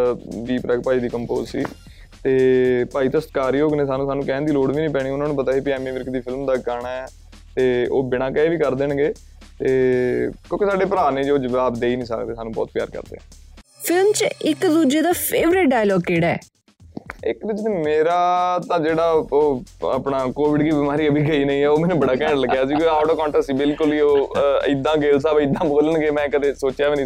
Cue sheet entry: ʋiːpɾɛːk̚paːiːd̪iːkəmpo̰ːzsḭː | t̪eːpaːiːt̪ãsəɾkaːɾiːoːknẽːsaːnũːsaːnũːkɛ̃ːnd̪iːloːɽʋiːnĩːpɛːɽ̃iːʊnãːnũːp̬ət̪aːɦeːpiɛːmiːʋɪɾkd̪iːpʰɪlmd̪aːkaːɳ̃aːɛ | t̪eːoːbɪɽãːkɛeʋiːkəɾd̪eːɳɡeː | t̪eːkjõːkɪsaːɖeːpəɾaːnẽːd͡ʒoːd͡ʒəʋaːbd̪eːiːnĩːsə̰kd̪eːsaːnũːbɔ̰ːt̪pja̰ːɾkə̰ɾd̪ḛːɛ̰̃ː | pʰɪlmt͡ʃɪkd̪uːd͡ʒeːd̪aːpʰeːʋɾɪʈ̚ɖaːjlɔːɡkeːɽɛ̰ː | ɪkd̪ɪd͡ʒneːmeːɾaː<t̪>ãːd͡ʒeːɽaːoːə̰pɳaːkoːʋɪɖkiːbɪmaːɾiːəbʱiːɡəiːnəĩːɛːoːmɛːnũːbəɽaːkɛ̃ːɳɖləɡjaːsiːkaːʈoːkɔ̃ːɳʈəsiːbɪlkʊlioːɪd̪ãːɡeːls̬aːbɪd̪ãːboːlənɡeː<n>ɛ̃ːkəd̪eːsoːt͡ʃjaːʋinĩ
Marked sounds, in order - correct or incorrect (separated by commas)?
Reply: correct, incorrect